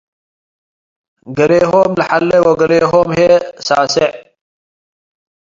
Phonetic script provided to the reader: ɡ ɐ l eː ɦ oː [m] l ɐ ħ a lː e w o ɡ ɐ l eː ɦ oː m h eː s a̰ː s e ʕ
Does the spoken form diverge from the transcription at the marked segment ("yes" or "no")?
no